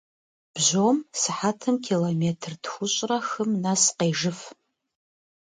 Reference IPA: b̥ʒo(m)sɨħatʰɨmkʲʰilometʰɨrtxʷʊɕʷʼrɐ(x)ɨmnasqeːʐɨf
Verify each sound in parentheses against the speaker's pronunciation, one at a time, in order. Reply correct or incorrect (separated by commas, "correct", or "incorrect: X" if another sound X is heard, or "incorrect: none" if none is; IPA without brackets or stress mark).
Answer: correct, correct